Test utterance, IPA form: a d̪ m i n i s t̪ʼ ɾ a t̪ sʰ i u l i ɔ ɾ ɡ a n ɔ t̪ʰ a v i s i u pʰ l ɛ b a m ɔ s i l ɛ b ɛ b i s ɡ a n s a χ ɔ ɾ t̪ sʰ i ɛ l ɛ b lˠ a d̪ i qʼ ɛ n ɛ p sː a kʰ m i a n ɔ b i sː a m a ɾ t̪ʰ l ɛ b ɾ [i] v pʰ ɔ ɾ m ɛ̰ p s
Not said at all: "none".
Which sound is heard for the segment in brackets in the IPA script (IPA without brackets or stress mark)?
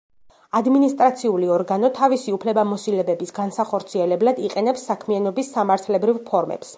i